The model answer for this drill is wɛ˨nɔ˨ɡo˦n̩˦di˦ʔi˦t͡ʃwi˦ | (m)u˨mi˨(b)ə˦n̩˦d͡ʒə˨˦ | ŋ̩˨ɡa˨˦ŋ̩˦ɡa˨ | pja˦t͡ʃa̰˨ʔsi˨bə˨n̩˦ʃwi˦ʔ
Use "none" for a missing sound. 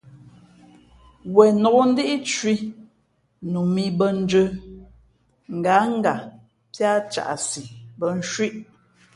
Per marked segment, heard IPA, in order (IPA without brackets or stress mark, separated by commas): n, b